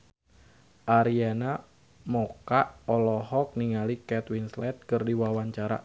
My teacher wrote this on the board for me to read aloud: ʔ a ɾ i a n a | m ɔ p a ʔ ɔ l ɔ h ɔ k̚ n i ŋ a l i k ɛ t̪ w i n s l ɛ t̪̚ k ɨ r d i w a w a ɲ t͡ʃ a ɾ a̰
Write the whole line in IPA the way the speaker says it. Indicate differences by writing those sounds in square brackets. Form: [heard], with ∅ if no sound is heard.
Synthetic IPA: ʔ a ɾ i a n a | m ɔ [k] a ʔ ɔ l ɔ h ɔ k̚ n i ŋ a l i k ɛ t̪ w i n s l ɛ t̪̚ k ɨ r d i w a w a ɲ t͡ʃ a ɾ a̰